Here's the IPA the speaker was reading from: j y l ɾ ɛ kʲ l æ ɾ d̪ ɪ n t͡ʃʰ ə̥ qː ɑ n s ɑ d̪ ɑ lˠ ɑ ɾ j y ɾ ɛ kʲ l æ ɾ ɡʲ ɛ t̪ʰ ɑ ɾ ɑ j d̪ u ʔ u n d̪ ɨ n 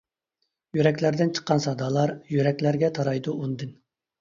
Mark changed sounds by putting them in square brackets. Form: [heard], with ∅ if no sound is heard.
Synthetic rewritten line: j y [∅] ɾ ɛ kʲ l æ ɾ d̪ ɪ n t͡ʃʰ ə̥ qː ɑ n s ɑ d̪ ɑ lˠ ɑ ɾ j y ɾ ɛ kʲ l æ ɾ ɡʲ ɛ t̪ʰ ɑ ɾ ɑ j d̪ u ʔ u n d̪ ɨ n

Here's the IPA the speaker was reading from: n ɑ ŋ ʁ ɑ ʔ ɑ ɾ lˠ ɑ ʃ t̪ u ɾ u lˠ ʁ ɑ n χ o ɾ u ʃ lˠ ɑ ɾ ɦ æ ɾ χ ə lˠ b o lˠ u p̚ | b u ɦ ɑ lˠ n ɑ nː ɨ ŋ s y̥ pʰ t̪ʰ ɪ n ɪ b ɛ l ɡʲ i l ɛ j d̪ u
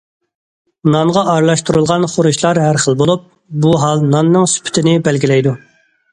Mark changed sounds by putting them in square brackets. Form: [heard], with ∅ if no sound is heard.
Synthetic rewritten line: n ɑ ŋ ʁ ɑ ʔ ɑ ɾ lˠ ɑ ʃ t̪ u ɾ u lˠ ʁ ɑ n χ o ɾ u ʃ lˠ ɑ ɾ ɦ æ ɾ χ ə lˠ b o lˠ u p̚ | b u ɦ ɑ lˠ n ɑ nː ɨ ŋ s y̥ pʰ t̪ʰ ɪ n ɪ b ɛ l ɡʲ i l ɛ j d̪ u

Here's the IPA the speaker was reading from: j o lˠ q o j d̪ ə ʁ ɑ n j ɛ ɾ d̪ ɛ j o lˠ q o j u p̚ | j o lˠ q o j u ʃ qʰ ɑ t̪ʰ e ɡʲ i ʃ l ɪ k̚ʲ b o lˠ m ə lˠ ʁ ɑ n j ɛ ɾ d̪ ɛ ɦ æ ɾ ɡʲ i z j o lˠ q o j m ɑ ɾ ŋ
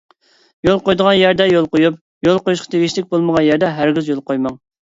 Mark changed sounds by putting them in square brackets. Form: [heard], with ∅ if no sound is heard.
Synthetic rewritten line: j o lˠ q o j d̪ ə ʁ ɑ n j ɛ ɾ d̪ ɛ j o lˠ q o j u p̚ | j o lˠ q o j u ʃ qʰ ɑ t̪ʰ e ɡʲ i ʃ l ɪ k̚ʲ b o lˠ m ə [∅] ʁ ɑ n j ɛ ɾ d̪ ɛ ɦ æ ɾ ɡʲ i z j o lˠ q o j m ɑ [∅] ŋ

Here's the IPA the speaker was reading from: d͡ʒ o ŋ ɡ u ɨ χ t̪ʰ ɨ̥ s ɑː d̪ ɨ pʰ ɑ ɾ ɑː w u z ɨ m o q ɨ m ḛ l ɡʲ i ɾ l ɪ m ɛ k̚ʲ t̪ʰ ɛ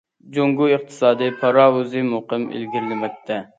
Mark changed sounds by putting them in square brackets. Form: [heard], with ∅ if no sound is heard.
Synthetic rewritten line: d͡ʒ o ŋ ɡ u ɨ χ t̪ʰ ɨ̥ s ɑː d̪ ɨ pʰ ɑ ɾ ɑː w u z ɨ m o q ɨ m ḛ l ɡʲ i ɾ l ɪ m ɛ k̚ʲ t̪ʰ ɛ

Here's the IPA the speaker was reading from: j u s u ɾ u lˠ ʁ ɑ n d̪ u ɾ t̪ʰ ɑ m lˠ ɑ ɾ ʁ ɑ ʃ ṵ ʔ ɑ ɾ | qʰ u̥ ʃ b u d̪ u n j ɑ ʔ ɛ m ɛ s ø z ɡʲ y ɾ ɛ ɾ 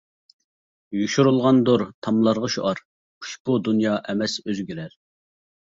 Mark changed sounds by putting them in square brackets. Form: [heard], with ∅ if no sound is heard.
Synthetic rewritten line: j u [ʃ] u ɾ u lˠ ʁ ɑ n d̪ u ɾ t̪ʰ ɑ m lˠ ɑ ɾ ʁ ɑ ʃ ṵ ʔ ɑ ɾ | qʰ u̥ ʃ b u d̪ u n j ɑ ʔ ɛ m ɛ s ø z ɡʲ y ɾ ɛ ɾ

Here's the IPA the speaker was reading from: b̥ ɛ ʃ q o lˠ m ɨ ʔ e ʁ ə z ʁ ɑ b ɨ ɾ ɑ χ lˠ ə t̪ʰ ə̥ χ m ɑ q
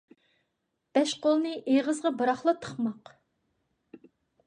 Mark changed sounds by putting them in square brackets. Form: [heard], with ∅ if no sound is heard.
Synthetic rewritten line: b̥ ɛ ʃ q o lˠ [n] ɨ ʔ e ʁ ə z ʁ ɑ b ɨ ɾ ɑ χ lˠ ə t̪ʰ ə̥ χ m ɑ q

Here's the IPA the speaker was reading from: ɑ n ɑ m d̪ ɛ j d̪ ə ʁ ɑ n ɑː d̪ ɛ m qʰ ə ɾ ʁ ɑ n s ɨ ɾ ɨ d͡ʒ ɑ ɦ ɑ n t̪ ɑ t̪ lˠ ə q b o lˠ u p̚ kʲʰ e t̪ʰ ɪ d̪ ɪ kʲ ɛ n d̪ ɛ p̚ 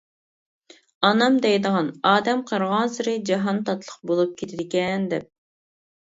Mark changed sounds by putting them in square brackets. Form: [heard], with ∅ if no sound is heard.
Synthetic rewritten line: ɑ n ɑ m d̪ ɛ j d̪ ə ʁ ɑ n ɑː d̪ ɛ m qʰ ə ɾ ʁ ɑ n s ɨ ɾ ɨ d͡ʒ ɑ ɦ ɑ n t̪ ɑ t̪ lˠ ə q b o lˠ u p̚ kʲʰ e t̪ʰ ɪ d̪ ɪ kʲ ɛ n d̪ ɛ p̚

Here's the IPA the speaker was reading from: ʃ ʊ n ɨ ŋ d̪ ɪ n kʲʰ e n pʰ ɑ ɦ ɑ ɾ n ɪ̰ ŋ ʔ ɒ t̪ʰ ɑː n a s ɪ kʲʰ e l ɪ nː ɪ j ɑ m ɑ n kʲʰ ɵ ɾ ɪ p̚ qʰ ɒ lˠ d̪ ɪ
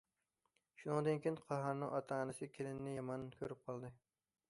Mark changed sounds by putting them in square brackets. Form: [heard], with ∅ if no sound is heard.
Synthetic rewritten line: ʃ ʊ n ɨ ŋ d̪ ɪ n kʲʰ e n [qʰ] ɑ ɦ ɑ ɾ n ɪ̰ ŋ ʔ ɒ t̪ʰ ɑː n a s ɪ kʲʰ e l ɪ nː ɪ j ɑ m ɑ n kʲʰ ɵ ɾ ɪ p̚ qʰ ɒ lˠ d̪ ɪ

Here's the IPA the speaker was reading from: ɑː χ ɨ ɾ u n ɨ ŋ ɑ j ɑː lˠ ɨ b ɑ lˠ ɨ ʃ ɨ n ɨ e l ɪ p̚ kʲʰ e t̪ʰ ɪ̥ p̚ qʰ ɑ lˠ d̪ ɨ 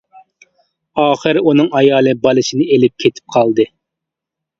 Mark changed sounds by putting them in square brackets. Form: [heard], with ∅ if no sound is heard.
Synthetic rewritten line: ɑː χ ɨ ɾ u n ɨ ŋ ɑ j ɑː lˠ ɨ b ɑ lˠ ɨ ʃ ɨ n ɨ e l ɪ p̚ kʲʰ e t̪ʰ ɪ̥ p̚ qʰ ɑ lˠ d̪ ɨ

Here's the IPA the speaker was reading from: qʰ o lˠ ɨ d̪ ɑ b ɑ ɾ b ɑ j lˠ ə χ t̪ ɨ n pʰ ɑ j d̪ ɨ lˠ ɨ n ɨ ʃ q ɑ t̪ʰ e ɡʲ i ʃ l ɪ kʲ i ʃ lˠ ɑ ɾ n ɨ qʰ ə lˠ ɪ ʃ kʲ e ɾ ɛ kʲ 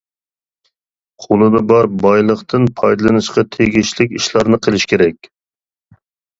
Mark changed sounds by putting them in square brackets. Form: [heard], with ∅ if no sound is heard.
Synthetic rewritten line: qʰ o lˠ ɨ d̪ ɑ b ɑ ɾ b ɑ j lˠ ə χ t̪ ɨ n pʰ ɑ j d̪ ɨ lˠ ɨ n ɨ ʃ q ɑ t̪ʰ e ɡʲ i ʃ l ɪ kʲ i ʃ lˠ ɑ ɾ n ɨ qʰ ə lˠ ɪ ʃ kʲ e ɾ ɛ kʲ

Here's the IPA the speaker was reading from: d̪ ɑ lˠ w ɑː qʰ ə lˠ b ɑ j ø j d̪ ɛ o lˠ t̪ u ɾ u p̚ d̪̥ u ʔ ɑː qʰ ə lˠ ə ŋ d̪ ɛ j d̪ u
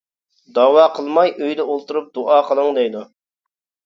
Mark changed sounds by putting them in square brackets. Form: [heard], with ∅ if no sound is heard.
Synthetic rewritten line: d̪ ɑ [∅] w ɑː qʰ ə lˠ [m] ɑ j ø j d̪ ɛ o lˠ t̪ u ɾ u p̚ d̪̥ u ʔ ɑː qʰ ə lˠ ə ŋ d̪ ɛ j d̪ u

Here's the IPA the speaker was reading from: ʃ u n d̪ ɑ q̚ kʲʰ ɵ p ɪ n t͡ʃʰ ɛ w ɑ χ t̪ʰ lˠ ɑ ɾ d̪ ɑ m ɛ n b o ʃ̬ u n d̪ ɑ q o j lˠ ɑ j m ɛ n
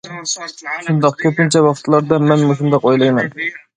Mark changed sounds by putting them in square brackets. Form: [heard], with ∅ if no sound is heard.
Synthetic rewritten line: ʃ u n d̪ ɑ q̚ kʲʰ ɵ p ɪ n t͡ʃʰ ɛ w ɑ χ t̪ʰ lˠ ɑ ɾ d̪ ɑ m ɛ n [m] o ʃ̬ u n d̪ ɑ q o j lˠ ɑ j m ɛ n

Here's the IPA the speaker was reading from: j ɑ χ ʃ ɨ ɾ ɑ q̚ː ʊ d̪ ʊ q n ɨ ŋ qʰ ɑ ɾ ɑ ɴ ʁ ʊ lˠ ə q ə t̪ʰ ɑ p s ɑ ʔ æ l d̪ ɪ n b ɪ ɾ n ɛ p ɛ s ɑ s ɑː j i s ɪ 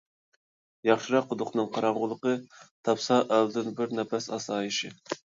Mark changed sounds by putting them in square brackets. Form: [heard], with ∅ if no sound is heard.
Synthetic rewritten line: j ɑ χ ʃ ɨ ɾ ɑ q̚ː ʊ d̪ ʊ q n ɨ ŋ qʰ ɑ ɾ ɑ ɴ ʁ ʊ lˠ ə q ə t̪ʰ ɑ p s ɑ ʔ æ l d̪ ɪ n b ɪ ɾ n ɛ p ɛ s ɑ s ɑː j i [ʃ] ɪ

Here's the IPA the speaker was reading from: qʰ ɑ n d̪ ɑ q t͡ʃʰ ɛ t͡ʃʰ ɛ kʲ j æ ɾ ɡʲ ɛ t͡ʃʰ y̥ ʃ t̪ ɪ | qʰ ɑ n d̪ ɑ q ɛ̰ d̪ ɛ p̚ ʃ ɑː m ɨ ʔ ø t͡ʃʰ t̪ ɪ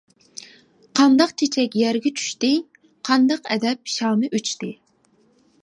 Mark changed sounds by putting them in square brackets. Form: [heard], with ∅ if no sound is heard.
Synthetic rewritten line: qʰ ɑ n d̪ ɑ q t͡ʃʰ [e] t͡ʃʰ ɛ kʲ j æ ɾ ɡʲ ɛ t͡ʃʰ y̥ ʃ t̪ ɪ | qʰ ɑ n d̪ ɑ q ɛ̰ d̪ ɛ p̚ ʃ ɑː m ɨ ʔ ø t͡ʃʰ t̪ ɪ

